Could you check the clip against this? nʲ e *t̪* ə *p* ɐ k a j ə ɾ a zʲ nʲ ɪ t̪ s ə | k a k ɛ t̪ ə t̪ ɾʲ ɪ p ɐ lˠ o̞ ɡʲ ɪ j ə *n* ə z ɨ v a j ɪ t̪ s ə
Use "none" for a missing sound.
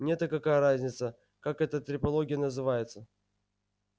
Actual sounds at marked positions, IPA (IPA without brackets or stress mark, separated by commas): t̪, k, n